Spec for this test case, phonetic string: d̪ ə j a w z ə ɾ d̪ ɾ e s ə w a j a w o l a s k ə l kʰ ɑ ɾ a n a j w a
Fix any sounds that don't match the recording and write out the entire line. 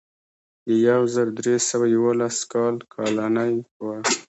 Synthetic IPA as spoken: d̪ ə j a w z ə ɾ d̪ ɾ e s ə w a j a w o l a s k ɑ l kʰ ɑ l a n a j w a